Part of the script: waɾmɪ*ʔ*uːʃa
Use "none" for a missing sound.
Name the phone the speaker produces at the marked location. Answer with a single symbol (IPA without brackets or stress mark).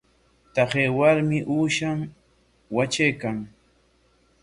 ʔ